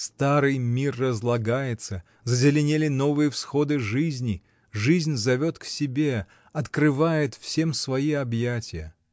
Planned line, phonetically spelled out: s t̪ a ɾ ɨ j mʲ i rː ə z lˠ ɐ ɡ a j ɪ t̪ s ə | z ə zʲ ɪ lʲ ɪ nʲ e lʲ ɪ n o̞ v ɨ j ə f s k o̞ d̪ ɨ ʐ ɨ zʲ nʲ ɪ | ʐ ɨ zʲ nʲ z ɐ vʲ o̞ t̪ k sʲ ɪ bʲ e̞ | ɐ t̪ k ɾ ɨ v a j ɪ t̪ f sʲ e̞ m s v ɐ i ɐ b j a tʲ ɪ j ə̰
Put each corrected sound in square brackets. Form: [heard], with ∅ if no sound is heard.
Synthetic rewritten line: s t̪ a ɾ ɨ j mʲ i rː ə z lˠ ɐ ɡ a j ɪ t̪ s ə | z ə zʲ ɪ lʲ ɪ nʲ e lʲ ɪ n o̞ v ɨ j ə f s [x] o̞ d̪ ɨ ʐ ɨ zʲ nʲ ɪ | ʐ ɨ zʲ nʲ z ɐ vʲ o̞ t̪ k sʲ ɪ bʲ e̞ | ɐ t̪ k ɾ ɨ v a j ɪ t̪ f sʲ e̞ m s v ɐ i ɐ b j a tʲ ɪ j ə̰